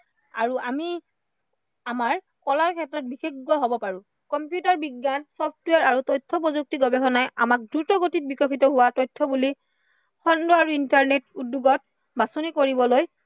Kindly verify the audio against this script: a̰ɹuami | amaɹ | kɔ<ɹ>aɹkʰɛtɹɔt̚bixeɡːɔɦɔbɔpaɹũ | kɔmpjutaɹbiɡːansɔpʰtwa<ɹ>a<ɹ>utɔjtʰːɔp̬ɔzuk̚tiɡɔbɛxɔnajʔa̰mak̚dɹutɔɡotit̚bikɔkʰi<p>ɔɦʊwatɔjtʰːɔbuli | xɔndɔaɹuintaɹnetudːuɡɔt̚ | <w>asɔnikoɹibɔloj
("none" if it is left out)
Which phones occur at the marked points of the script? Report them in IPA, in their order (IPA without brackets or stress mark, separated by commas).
l, ɹ, ɹ, t, b